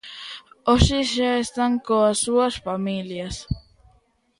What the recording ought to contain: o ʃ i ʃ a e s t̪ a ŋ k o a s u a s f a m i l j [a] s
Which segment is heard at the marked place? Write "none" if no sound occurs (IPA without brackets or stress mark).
a